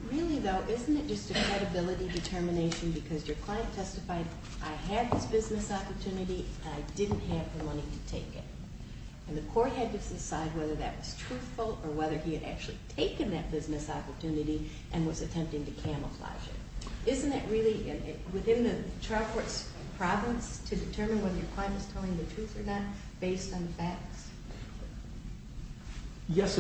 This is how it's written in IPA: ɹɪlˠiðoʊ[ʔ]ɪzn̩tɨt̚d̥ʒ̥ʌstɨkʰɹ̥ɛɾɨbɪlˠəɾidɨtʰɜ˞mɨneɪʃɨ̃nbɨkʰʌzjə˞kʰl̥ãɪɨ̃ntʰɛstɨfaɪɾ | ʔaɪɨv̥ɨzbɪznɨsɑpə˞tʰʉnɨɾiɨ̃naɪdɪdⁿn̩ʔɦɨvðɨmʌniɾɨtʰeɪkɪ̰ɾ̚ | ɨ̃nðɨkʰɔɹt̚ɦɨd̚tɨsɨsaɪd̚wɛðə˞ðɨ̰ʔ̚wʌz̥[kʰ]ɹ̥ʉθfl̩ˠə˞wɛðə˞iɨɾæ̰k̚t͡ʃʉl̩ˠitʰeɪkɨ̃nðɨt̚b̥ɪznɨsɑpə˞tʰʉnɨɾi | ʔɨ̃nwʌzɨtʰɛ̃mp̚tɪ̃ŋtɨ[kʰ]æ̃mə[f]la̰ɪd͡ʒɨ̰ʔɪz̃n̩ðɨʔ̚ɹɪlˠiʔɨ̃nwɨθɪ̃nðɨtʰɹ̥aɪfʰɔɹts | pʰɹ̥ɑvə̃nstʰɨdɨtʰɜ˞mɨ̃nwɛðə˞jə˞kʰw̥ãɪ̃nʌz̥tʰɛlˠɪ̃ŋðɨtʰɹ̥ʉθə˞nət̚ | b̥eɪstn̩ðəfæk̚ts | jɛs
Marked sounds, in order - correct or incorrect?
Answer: correct, incorrect: tʰ, correct, correct

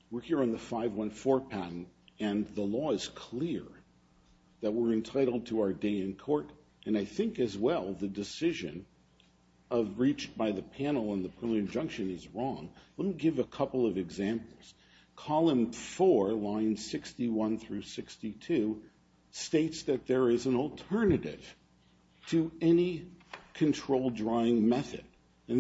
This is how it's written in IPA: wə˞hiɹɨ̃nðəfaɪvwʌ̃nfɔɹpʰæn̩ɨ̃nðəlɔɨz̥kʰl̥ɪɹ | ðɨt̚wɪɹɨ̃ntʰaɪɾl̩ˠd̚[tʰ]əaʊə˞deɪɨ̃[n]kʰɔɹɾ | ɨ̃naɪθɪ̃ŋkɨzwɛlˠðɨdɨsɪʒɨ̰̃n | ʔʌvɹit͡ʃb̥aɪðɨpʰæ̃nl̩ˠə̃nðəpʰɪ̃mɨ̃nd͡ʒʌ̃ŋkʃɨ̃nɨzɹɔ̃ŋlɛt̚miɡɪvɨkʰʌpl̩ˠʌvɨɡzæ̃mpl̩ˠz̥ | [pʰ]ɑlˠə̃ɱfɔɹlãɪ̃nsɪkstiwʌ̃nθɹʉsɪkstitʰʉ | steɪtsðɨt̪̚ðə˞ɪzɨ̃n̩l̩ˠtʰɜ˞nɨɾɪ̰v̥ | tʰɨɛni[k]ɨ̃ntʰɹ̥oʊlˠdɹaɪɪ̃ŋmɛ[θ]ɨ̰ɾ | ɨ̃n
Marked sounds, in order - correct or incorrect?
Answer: correct, correct, incorrect: kʰ, incorrect: kʰ, correct

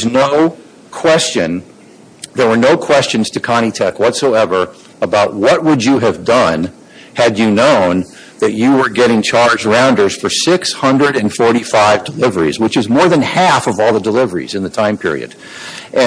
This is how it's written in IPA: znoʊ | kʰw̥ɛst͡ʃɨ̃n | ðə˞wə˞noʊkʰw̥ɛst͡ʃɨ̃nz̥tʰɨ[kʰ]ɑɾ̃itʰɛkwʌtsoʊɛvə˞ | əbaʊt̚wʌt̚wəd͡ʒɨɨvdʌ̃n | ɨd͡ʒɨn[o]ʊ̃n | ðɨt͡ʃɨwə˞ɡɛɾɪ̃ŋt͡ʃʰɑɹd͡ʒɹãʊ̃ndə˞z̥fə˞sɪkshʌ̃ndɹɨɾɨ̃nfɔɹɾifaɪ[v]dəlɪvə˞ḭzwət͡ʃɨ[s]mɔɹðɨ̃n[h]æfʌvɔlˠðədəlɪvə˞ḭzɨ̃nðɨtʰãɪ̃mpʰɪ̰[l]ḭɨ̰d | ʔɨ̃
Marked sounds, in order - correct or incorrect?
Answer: correct, incorrect: õ, correct, incorrect: z, correct, incorrect: ɹ

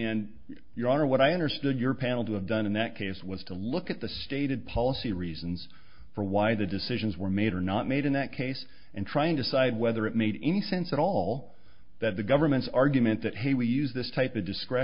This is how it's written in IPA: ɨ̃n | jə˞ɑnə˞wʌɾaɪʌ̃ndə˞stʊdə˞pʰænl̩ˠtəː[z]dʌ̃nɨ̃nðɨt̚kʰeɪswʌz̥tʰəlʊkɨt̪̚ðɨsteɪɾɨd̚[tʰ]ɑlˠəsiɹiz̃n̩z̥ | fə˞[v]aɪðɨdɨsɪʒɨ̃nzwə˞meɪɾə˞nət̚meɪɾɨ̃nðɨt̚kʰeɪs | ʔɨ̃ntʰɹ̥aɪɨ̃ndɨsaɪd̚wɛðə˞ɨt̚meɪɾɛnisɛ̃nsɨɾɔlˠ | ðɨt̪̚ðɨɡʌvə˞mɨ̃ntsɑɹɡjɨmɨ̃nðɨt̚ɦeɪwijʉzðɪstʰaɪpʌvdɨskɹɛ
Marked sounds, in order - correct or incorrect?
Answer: incorrect: v, incorrect: pʰ, incorrect: w

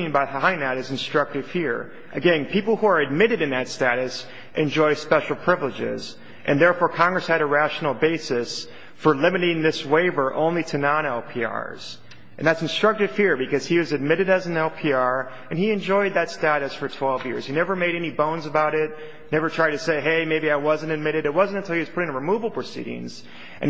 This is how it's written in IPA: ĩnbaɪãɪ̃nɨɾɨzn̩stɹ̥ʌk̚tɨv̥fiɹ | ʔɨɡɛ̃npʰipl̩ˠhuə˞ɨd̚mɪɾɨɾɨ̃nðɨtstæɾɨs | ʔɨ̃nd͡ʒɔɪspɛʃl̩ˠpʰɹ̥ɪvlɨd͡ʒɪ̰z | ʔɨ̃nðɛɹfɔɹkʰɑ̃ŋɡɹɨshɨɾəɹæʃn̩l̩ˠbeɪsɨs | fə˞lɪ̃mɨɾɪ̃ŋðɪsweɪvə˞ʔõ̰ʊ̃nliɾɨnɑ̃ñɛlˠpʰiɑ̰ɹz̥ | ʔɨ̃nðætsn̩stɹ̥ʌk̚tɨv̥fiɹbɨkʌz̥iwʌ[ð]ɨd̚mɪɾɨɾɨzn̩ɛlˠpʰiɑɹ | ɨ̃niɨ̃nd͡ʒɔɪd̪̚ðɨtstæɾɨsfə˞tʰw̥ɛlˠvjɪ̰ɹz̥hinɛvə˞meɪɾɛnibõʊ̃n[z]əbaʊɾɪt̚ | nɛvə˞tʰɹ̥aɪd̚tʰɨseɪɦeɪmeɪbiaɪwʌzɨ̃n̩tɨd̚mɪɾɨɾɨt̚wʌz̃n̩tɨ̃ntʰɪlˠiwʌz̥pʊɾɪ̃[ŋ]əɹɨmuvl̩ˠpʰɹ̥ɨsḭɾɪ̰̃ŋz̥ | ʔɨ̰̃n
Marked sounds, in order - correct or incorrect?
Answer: incorrect: z, correct, correct

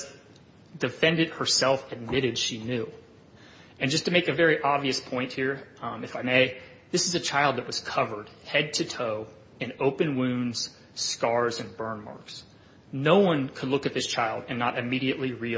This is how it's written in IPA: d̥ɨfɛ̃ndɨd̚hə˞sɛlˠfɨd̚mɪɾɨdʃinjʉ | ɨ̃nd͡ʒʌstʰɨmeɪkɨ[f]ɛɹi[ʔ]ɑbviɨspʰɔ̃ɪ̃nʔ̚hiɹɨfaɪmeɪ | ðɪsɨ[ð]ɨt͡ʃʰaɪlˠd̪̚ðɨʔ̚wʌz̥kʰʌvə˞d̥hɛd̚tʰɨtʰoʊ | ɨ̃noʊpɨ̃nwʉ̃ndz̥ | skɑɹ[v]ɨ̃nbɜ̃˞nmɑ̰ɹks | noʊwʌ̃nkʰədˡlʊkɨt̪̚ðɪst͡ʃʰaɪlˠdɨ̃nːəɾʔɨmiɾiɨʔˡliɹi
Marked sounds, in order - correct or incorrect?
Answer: incorrect: v, correct, incorrect: z, incorrect: z

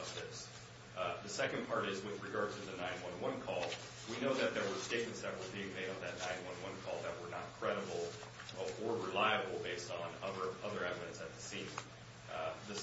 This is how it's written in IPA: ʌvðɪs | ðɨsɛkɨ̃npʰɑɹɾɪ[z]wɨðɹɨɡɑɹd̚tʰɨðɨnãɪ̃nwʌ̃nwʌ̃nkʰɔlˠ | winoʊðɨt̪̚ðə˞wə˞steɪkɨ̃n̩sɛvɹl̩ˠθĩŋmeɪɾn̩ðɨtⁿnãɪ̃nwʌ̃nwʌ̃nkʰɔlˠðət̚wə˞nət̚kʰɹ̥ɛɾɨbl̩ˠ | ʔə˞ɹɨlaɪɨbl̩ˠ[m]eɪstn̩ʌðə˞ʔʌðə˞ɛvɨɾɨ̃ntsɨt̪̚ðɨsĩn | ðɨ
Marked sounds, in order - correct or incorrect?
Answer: correct, incorrect: b

